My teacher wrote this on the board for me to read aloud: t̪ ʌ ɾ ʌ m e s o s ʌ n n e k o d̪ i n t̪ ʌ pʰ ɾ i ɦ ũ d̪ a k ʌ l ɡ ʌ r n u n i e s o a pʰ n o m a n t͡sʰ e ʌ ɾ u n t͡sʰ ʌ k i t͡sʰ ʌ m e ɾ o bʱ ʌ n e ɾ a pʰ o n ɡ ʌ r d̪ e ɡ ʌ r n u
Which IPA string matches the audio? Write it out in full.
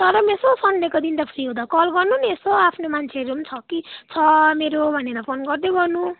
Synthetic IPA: t̪ ʌ ɾ ʌ m e s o s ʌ n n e k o d̪ i n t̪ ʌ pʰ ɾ i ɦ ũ d̪ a k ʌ l ɡ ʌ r n u n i e s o a pʰ n o m a n t͡sʰ e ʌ ɾ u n t͡sʰ ʌ k i t͡sʰ ʌ m e ɾ o bʱ ʌ n e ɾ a pʰ o n ɡ ʌ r d̪ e ɡ ʌ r n u